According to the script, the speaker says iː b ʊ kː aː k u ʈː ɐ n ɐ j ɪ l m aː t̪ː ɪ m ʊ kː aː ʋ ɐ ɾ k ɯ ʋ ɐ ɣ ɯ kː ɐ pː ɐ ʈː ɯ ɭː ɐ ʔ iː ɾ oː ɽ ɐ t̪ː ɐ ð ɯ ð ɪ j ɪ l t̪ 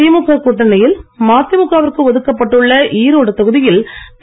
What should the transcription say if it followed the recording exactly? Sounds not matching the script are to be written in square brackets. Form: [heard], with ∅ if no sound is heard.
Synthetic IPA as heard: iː [m] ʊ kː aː k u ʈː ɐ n ɐ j ɪ l m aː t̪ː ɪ m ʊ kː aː ʋ ɐ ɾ k ɯ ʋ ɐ [ð] ɯ kː ɐ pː ɐ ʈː ɯ ɭː ɐ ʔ iː ɾ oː ɽ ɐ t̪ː ɐ [ɣ] ɯ ð ɪ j ɪ l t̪